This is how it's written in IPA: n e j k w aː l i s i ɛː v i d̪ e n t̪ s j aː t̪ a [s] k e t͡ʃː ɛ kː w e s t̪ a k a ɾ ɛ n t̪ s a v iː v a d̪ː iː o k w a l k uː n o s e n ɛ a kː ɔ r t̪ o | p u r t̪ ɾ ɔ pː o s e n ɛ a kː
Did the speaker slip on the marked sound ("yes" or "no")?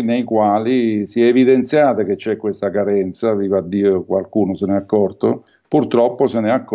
yes